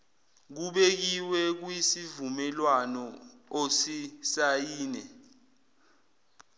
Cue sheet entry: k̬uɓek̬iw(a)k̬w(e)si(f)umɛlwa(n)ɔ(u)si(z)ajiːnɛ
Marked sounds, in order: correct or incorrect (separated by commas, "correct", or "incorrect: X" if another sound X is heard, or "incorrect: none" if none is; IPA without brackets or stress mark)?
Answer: incorrect: ɛ, incorrect: i, incorrect: v, correct, incorrect: o, incorrect: s